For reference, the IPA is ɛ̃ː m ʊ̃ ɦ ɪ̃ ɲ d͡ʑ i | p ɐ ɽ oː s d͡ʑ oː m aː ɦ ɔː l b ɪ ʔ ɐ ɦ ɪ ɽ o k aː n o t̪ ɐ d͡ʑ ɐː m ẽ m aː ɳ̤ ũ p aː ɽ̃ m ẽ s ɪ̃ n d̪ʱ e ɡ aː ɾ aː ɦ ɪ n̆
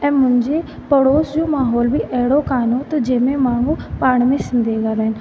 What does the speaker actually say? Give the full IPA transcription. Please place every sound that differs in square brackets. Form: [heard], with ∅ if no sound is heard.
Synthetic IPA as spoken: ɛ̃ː m ʊ̃ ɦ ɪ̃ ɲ d͡ʑ [e] | p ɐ ɽ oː s d͡ʑ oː m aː ɦ ɔː l b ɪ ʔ ɐ ɦ ɪ ɽ o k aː n o t̪ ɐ d͡ʑ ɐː m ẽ m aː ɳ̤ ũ p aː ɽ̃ m ẽ s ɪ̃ n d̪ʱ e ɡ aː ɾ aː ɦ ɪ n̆